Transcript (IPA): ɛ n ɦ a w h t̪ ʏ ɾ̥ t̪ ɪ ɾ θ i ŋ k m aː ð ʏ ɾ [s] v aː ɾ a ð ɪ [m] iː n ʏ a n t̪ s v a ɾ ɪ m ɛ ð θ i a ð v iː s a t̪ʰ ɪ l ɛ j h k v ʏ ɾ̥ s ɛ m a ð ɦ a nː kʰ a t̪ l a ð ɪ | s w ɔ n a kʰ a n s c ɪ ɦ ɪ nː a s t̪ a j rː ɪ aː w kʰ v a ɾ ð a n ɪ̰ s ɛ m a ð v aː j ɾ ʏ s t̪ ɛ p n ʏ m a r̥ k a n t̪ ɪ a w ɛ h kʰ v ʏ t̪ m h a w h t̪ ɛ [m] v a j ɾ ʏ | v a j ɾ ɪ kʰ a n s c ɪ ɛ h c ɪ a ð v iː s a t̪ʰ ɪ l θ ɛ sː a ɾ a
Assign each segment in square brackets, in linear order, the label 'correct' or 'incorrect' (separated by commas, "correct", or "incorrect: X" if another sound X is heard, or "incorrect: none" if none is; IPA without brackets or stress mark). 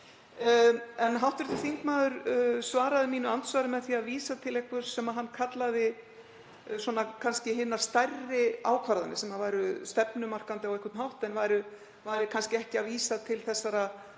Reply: correct, correct, incorrect: n